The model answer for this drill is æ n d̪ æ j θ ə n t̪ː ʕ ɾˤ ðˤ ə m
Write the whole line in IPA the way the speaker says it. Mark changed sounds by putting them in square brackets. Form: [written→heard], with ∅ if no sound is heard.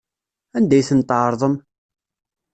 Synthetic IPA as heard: æ n d̪ æ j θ ə n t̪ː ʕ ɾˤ ðˤ ə m